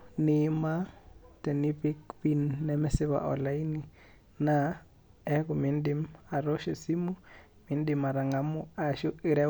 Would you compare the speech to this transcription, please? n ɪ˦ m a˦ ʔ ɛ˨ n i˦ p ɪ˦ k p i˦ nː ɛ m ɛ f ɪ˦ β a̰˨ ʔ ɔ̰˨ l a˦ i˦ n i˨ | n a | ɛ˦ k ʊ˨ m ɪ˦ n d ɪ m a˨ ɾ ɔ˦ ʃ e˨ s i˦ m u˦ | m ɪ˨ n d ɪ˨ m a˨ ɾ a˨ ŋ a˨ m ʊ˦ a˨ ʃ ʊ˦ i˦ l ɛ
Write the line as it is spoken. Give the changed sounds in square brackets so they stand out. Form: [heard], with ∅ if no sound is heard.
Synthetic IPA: n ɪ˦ m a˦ [t] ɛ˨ n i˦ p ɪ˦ k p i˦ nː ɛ m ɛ [s] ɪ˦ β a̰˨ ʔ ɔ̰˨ l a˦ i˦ n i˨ | n a | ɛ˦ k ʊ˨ m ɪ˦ n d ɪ m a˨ ɾ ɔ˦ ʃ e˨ s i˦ m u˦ | m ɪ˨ n d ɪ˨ m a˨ ɾ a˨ ŋ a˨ m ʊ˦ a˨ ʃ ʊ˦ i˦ [ɾ] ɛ